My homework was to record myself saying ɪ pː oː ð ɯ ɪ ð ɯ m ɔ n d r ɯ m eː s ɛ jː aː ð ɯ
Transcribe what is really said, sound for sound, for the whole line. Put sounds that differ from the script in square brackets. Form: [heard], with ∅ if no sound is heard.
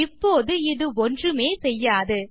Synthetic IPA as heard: ɪ pː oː ð ɯ ɪ ð ɯ [∅] ɔ n d r ɯ m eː s ɛ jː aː ð ɯ